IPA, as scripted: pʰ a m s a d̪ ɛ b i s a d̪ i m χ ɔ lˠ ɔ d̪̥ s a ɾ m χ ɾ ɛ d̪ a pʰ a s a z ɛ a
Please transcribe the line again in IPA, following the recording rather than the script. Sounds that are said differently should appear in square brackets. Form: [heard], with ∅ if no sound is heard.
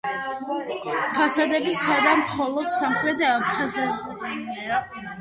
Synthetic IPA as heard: pʰ a [∅] s a d̪ ɛ b i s a d̪ [a] m χ ɔ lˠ ɔ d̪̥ s a [∅] m χ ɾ ɛ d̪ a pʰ a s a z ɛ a